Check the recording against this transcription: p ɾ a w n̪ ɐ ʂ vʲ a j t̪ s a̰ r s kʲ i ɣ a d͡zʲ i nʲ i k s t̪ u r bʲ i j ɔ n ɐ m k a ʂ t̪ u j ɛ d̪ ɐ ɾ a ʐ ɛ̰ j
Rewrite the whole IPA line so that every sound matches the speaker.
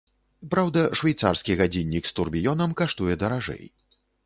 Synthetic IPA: p ɾ a w d̪ ɐ ʂ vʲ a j t̪ s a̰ r s kʲ i ɣ a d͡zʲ i nʲː i k s t̪ u r bʲ i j ɔ n ɐ m k a ʂ t̪ u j ɛ d̪ ɐ ɾ a ʐ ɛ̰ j